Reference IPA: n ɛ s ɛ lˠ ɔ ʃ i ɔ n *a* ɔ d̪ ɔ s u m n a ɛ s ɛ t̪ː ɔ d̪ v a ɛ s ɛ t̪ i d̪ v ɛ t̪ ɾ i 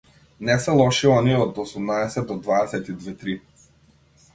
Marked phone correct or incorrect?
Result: incorrect